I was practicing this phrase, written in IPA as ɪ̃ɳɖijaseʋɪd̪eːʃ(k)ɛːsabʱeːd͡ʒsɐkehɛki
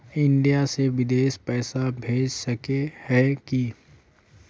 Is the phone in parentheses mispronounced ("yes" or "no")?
yes